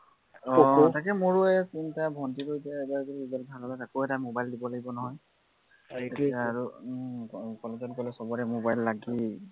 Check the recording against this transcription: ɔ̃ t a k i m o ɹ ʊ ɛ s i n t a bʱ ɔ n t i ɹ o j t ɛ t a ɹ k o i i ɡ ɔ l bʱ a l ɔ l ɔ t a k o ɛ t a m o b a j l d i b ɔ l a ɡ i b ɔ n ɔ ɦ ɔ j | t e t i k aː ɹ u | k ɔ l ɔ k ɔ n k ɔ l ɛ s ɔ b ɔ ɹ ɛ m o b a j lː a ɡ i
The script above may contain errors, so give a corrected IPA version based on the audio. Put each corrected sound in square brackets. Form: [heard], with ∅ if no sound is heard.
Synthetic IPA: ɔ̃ t a k [ɛ] m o ɹ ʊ ɛ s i n t a bʱ ɔ n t i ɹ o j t ɛ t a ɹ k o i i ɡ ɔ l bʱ a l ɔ l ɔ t a k o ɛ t a m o b a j l d i b ɔ l a ɡ i b ɔ n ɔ ɦ ɔ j | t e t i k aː ɹ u | k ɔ l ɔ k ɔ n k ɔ l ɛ s ɔ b ɔ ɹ ɛ m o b a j lː a ɡ i